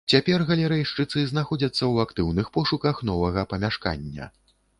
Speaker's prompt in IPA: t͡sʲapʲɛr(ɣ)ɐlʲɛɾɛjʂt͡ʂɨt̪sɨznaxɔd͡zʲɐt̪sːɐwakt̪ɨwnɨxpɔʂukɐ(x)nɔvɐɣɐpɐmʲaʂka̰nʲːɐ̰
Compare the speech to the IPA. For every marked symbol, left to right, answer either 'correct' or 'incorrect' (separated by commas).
correct, correct